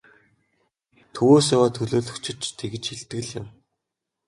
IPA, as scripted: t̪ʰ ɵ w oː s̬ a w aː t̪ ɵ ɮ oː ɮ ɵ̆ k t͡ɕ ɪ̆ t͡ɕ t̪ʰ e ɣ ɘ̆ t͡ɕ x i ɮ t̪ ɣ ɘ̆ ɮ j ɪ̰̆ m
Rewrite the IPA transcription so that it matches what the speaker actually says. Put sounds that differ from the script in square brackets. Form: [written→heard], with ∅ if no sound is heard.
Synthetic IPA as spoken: t̪ʰ ɵ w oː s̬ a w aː [t̪→t̪ʰ] ɵ ɮ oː ɮ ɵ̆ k t͡ɕ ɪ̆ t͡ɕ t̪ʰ e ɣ ɘ̆ t͡ɕ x i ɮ t̪ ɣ ɘ̆ ɮ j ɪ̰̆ m